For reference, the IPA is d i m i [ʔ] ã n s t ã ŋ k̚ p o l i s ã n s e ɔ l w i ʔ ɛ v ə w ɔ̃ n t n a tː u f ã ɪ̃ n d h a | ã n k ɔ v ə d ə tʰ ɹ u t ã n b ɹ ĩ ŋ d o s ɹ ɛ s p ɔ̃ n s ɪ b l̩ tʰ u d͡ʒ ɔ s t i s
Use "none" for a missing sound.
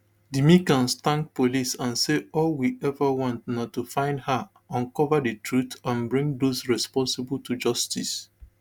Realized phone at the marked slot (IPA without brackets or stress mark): k